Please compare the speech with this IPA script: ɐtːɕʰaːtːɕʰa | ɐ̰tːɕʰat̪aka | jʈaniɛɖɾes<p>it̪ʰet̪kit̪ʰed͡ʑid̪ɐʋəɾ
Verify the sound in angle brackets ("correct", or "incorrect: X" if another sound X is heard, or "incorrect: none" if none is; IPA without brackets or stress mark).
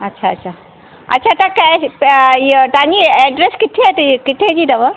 incorrect: k